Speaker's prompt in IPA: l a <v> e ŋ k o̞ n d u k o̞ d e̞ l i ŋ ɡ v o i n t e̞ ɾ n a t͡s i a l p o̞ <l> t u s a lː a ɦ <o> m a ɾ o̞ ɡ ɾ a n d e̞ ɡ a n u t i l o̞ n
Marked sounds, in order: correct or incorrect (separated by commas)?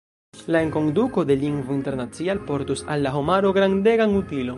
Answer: incorrect, incorrect, correct